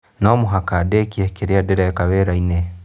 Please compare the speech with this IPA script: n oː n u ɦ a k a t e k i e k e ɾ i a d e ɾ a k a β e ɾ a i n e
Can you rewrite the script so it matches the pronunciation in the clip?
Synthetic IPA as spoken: n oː m u ɦ a k a d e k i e k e ɾ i a d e ɾ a k a β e ɾ a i n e